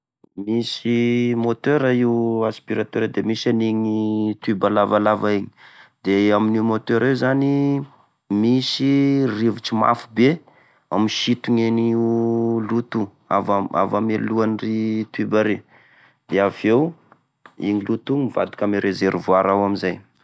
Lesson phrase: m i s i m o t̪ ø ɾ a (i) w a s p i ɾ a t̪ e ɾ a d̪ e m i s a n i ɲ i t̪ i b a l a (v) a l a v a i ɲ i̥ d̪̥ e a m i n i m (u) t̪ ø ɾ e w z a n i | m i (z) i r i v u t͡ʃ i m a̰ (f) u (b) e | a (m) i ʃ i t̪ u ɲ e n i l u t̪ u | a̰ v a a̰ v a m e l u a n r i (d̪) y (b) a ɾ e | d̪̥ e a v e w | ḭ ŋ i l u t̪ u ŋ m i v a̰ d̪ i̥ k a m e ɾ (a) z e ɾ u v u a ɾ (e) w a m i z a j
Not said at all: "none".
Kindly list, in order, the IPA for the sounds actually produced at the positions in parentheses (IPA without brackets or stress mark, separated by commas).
i, v, o, s, f, b, m, t̪, b, e, a